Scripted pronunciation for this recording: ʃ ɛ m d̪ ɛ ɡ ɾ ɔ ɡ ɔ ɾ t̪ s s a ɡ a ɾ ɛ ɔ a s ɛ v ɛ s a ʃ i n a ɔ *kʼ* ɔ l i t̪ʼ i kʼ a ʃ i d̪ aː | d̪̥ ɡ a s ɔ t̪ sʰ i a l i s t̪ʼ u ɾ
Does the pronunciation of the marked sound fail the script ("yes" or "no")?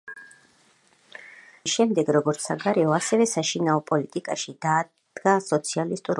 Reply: yes